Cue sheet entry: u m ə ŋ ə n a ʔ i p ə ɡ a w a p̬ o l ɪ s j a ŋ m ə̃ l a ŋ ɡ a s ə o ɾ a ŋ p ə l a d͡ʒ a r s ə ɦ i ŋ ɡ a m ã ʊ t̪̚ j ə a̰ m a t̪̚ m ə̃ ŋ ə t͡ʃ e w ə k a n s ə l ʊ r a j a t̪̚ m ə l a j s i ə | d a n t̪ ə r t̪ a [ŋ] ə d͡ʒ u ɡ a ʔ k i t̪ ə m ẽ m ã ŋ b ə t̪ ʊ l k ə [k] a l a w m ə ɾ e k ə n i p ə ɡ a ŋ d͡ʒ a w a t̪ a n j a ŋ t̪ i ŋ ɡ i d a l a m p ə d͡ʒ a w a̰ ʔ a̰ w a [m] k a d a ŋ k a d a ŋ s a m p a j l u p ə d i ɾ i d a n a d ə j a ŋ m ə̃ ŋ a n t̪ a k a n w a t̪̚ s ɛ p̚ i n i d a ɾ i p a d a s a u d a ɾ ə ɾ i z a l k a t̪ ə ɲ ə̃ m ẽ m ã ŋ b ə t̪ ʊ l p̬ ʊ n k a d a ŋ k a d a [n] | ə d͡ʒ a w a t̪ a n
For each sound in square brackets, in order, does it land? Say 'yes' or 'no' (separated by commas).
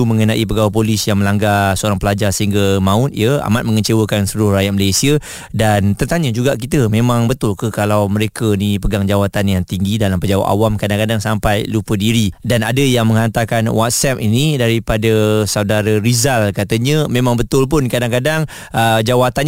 no, yes, yes, no